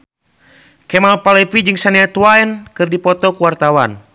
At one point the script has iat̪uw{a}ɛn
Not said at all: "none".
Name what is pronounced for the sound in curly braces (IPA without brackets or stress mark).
a